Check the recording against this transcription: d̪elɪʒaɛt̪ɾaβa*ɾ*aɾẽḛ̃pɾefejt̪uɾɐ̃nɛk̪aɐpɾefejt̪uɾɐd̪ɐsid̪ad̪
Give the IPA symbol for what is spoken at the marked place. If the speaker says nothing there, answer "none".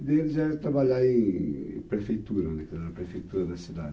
ʎ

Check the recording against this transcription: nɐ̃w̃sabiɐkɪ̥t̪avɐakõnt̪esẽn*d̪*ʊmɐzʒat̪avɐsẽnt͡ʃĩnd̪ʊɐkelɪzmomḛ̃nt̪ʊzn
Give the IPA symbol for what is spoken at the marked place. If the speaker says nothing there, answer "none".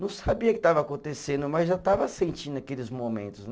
d̪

